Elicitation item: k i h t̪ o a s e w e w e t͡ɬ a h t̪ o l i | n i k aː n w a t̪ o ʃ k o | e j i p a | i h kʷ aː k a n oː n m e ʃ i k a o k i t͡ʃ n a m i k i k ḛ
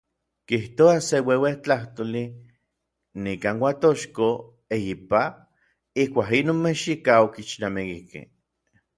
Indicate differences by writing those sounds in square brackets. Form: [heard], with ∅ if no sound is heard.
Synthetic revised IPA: k i h t̪ o a s e w e w e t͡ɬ a h t̪ o l i | n i k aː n w a t̪ o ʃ k o | e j i p a | i h kʷ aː k [i] n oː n m e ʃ i k a o k i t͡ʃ n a m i k i k ḛ

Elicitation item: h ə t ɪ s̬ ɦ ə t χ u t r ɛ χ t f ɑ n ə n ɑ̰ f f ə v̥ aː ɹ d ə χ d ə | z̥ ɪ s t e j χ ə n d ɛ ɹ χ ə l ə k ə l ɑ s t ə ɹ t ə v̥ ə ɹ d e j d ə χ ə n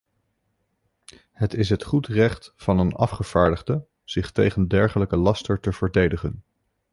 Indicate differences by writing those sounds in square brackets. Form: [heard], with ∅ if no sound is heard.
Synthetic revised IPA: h ə t ɪ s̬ ɦ ə t χ u t r ɛ χ t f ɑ n ə n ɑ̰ f [χ] ə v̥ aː ɹ d ə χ d ə | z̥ ɪ [χ] t e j χ ə n d ɛ ɹ χ ə l ə k ə l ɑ s t ə ɹ t ə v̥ ə ɹ d e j d ə χ ə n

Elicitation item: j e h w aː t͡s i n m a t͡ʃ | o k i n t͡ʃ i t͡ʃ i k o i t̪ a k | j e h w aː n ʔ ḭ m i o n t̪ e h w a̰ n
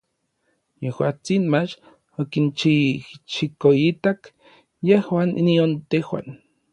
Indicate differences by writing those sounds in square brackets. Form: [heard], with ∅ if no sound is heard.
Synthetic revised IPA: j e h w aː t͡s i n m a t͡ʃ | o k i n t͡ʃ i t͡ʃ i k o i t̪ a k | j e h w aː n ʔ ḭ [n] i o n t̪ e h w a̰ n

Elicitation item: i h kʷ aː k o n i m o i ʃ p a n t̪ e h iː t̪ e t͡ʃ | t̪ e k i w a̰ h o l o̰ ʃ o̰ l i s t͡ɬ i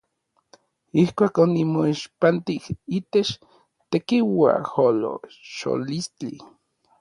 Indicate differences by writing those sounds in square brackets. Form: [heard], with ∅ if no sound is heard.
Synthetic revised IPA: i h kʷ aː k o n i m o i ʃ p a n t̪ [i] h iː t̪ e t͡ʃ | t̪ e k i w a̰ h o l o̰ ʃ o̰ l i s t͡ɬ i

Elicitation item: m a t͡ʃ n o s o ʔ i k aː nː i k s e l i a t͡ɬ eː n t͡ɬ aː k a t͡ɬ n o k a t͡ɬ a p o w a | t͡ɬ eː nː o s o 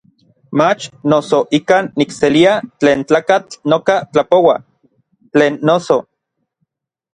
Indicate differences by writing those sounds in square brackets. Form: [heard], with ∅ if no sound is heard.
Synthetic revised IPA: m a t͡ʃ n o s o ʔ i k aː nː i k s e l i a t͡ɬ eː n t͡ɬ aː k a t͡ɬ n o k a t͡ɬ a p o w a | t͡ɬ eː nː o s o

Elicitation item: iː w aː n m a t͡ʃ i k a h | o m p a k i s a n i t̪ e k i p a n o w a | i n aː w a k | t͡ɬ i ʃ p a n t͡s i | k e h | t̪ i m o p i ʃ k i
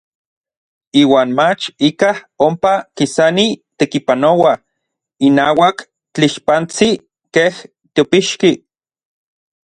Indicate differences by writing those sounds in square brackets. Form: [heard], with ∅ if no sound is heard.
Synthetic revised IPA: iː w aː n m a t͡ʃ i k a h | o m p a k i s a n i t̪ e k i p a n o w a | i n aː w a k | t͡ɬ i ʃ p a n t͡s i | k e h | t̪ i [∅] o p i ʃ k i

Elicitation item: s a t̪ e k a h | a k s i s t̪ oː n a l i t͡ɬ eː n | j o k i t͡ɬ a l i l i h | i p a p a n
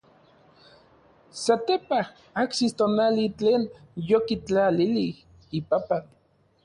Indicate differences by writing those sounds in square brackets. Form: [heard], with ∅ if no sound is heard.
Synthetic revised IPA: s a t̪ e [p] a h | a k s i s t̪ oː n a l i t͡ɬ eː n | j o k i t͡ɬ a l i l i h | i p a p a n

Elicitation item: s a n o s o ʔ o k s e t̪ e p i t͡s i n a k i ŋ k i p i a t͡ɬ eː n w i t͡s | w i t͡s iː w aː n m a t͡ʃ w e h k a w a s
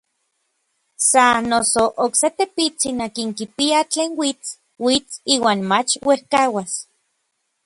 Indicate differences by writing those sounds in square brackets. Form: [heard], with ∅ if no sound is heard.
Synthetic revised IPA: s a n o s o ʔ o k s e t̪ e p i t͡s i n a k i ŋ k i p i a t͡ɬ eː n w i t͡s | w i t͡s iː w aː n m a t͡ʃ w e h k a w a s

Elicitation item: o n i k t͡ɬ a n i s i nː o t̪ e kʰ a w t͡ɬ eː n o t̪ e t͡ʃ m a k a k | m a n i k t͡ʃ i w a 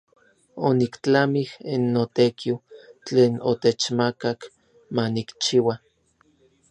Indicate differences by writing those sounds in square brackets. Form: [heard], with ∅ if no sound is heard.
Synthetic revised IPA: o n i k t͡ɬ a [m] i [h] i nː o t̪ e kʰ [i] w t͡ɬ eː n o t̪ e t͡ʃ m a k a k | m a n i k t͡ʃ i w a

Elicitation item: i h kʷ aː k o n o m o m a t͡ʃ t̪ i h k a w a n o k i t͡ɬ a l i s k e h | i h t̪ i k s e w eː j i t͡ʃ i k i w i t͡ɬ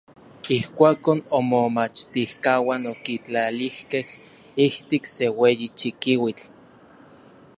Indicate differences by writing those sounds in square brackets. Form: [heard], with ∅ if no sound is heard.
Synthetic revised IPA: i h kʷ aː k o n o m o m a t͡ʃ t̪ i h k a w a n o k i t͡ɬ a l i [h] k e h | i h t̪ i k s e w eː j i t͡ʃ i k i w i t͡ɬ

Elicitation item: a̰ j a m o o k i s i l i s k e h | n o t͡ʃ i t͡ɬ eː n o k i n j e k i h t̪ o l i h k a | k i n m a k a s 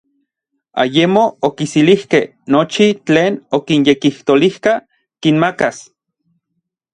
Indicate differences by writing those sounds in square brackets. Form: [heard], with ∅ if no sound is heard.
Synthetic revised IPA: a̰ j [e] m o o k i s i l i [h] k e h | n o t͡ʃ i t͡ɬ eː n o k i n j e k i h t̪ o l i h k a | k i n m a k a s

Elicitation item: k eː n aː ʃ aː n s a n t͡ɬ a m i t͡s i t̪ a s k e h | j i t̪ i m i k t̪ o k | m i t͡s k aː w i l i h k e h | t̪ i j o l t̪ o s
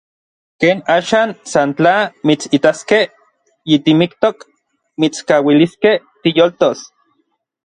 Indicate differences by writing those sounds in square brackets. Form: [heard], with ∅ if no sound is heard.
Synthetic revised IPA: k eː n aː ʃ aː n s a n t͡ɬ a m i t͡s i t̪ a s k e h | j i t̪ i m i k t̪ o k | m i t͡s k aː w i l i [s] k e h | t̪ i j o l t̪ o s

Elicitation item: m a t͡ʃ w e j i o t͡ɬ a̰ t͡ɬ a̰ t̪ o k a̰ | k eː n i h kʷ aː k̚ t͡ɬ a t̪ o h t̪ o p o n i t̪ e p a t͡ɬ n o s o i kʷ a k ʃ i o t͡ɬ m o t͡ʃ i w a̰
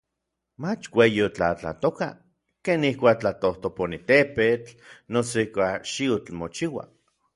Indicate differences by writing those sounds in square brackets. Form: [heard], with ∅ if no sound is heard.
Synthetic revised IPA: m a t͡ʃ w e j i o t͡ɬ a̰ t͡ɬ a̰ t̪ o k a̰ | k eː n i h kʷ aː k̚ t͡ɬ a t̪ o h t̪ o p o n i t̪ e p [e] t͡ɬ n o s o i kʷ a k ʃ i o t͡ɬ m o t͡ʃ i w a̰

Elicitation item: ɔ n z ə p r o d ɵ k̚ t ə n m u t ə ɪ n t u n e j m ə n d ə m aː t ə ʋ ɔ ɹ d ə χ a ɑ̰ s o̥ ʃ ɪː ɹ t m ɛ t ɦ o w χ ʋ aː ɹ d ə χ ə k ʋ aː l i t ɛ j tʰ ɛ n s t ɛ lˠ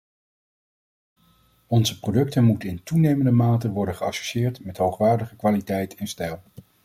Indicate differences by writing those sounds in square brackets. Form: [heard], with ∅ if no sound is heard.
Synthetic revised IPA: ɔ n z ə p r o d ɵ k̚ t ə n m u t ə ɪ n t u n e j m ə n d ə m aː t ə ʋ ɔ ɹ d ə χ [ə] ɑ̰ s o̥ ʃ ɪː ɹ t m ɛ t ɦ o w χ ʋ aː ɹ d ə χ ə k ʋ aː l i t ɛ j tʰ ɛ n s t ɛ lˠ

